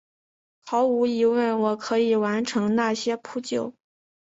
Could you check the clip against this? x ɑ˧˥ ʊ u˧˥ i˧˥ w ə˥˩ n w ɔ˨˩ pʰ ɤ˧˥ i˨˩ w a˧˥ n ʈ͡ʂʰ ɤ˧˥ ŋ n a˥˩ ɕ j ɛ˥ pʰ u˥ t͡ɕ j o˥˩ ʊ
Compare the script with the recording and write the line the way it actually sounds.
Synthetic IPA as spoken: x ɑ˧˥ ʊ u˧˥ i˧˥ w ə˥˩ n w ɔ˨˩ kʰ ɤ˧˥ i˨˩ w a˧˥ n ʈ͡ʂʰ ɤ˧˥ ŋ n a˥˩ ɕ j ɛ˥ pʰ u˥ t͡ɕ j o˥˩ ʊ